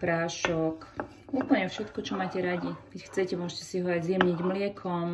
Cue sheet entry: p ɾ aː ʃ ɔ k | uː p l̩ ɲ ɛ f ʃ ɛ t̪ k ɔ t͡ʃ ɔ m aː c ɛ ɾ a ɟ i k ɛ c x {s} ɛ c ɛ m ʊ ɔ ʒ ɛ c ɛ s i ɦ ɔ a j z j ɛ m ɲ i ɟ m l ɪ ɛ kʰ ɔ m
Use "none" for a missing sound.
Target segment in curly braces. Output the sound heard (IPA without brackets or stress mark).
t͡s